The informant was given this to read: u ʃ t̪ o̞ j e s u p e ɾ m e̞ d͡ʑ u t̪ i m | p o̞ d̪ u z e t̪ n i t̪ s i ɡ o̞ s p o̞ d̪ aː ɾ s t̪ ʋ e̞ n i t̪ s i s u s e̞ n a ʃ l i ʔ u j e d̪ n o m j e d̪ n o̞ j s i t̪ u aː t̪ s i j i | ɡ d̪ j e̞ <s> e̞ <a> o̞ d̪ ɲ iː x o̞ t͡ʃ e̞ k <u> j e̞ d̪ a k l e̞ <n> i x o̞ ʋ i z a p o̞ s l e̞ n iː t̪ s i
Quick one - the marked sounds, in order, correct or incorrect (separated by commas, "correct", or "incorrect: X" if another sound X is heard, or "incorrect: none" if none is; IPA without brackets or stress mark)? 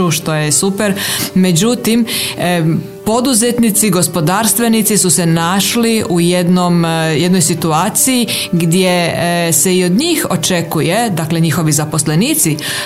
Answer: correct, incorrect: i, correct, incorrect: ɲ